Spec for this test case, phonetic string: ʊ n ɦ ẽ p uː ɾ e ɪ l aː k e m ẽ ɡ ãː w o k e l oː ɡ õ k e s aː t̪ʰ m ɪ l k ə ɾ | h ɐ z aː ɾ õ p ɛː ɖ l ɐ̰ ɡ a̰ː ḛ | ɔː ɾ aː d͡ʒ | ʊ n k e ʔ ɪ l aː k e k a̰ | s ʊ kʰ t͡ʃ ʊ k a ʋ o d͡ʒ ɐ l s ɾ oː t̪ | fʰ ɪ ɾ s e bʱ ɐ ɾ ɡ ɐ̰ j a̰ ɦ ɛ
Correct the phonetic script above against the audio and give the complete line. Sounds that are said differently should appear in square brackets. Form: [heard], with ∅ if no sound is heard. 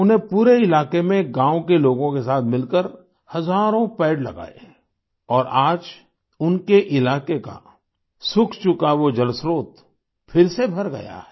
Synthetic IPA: ʊ n ɦ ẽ p uː ɾ e ɪ l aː k e m ẽ ɡ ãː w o k e l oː ɡ õ k e s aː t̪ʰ m ɪ l k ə ɾ | h ɐ z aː ɾ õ p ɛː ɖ l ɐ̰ ɡ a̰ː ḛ | ɔː ɾ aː d͡ʒ | ʊ n k e ʔ ɪ l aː k e k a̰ | s ʊ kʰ t͡ʃ ʊ k a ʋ o d͡ʒ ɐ l s ɾ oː t̪ | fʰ ɪ ɾ s e bʱ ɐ ɾ ɡ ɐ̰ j a̰ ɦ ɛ